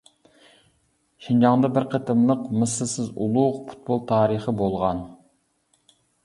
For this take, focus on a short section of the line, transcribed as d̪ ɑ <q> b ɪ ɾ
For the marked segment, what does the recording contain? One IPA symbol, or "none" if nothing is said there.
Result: none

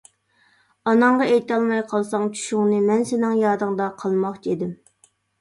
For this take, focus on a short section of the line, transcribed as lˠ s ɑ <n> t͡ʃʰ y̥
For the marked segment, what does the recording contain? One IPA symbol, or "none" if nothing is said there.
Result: ŋ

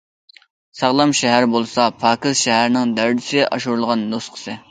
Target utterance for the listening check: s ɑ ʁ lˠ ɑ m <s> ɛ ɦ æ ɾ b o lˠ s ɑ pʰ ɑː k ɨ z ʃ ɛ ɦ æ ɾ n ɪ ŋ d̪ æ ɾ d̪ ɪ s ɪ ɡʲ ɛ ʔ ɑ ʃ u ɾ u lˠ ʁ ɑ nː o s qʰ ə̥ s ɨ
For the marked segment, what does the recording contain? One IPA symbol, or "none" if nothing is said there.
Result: ʃ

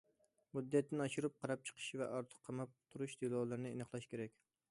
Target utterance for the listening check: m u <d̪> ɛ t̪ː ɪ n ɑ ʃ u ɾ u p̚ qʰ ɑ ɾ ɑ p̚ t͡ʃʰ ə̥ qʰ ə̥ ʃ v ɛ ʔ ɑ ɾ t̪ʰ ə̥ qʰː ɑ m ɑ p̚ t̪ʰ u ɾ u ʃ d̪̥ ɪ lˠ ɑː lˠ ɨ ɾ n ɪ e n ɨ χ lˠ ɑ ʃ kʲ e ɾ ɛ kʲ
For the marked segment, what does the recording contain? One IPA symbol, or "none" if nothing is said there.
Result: d̪ː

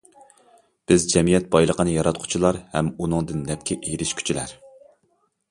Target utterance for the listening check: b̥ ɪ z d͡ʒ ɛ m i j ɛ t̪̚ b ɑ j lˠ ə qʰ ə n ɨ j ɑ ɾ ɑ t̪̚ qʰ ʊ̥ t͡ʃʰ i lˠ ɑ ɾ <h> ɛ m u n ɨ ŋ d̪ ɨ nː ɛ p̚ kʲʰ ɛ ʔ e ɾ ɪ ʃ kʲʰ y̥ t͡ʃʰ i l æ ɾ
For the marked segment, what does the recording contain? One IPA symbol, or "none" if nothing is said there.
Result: h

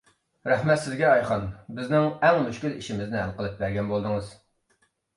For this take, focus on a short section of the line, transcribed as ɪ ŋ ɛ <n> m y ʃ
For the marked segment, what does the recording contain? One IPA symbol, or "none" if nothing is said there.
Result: ŋ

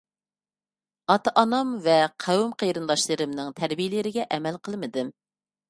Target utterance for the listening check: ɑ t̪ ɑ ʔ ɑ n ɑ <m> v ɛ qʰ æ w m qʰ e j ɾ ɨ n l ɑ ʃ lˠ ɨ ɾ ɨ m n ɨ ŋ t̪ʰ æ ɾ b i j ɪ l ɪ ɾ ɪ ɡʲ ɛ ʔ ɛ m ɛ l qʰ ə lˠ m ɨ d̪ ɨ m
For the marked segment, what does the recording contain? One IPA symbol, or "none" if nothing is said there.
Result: m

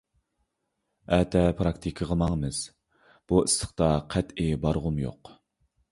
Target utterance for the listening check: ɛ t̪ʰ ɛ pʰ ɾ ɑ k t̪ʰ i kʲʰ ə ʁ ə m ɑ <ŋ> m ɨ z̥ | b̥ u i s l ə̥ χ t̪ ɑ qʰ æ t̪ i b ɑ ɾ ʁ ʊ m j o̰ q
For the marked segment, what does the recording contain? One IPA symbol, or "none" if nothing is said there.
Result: ŋ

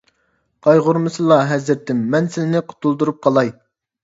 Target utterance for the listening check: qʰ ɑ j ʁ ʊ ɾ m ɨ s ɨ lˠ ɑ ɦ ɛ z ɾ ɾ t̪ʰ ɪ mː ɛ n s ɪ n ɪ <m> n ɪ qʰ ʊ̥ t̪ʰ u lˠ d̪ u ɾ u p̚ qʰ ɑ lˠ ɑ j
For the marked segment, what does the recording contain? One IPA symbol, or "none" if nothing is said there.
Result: none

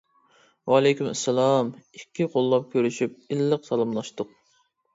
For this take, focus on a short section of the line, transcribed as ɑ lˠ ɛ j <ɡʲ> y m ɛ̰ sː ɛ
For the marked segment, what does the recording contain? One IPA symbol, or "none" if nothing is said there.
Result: kʲ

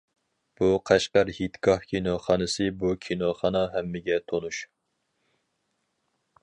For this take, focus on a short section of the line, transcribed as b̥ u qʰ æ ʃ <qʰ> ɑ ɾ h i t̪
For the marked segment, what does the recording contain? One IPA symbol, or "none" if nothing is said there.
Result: q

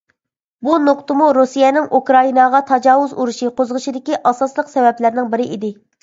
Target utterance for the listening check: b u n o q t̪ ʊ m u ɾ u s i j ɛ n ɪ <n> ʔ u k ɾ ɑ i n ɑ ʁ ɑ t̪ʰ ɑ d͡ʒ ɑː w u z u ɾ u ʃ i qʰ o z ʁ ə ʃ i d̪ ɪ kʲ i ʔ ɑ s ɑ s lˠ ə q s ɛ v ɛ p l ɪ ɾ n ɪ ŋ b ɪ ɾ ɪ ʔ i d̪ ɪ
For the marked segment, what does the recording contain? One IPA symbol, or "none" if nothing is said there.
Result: ŋ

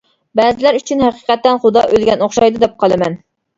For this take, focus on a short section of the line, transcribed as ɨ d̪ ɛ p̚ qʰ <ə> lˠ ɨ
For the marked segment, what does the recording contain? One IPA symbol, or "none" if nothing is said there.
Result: ɑ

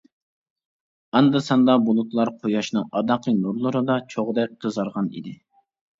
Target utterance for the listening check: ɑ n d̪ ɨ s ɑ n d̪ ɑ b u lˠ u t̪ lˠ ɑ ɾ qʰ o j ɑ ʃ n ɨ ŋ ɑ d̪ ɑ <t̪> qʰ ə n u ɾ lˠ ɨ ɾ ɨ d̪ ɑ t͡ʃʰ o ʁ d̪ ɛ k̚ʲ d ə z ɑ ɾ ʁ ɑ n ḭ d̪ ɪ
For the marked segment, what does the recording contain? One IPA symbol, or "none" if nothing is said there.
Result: none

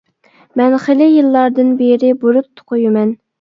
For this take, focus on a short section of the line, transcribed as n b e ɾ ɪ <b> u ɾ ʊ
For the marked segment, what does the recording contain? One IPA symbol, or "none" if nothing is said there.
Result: b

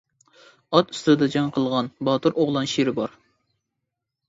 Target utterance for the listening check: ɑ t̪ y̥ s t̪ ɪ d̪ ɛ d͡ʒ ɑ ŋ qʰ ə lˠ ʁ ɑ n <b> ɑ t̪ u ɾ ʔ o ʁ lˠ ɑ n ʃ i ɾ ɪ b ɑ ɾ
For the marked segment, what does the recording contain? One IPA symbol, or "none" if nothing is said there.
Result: b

